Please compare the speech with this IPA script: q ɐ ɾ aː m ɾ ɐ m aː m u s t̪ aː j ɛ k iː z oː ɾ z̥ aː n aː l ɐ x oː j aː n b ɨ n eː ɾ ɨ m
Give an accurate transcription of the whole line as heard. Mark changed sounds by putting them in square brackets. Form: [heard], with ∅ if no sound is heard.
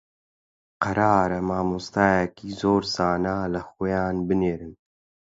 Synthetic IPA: q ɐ ɾ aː [∅] ɾ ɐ m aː m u s t̪ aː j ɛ k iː z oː ɾ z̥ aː n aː l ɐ x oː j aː n b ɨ n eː ɾ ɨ [n]